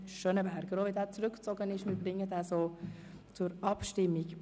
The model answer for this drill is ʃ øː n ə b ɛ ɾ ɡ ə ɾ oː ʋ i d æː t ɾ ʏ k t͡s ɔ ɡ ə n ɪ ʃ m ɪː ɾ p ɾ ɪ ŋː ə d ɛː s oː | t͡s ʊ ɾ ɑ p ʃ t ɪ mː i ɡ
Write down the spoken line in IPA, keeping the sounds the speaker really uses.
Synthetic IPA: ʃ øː n ə b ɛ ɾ ɡ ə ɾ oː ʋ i d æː t͡s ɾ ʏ k t͡s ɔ ɡ ə n ɪ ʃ m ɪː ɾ b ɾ ɪ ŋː ə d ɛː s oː | t͡s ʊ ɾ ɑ p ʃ t ɪ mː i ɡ